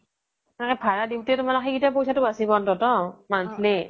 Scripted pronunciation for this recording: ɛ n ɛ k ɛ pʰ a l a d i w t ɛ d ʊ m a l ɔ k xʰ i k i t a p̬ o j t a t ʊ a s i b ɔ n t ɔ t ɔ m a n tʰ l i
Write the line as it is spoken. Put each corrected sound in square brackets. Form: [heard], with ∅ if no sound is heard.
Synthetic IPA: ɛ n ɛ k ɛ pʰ a [ɹ] a d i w t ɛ [t] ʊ m a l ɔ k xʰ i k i t a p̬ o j [s] a t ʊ a s i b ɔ n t ɔ t ɔ m a n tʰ l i